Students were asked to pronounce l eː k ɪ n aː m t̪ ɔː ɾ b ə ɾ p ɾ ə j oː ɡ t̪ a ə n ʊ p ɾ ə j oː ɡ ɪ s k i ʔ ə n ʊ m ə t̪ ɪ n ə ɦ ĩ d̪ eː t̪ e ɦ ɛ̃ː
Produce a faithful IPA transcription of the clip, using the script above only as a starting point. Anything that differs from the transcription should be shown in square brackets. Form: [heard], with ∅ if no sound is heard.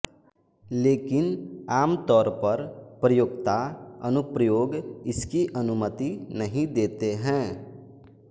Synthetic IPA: l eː k ɪ n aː m t̪ ɔː ɾ [p] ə ɾ p ɾ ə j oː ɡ t̪ a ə n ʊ p ɾ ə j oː ɡ ɪ s k i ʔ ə n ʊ m ə t̪ [i] n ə ɦ ĩ d̪ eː t̪ e ɦ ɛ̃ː